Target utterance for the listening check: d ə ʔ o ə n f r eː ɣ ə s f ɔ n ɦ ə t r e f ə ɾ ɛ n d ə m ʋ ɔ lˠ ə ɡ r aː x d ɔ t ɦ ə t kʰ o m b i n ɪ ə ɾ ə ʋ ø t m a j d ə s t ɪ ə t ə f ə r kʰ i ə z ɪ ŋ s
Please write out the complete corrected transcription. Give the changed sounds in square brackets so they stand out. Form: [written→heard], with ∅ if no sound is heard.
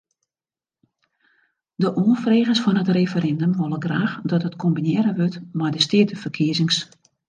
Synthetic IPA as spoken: d ə ʔ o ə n f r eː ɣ ə s f ɔ n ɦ ə t r e f ə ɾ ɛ n d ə m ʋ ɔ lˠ ə ɡ r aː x d ɔ t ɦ ə t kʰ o m b i n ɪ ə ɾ ə ʋ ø t m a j d ə s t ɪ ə t ə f ə r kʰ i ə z ɪ ŋ s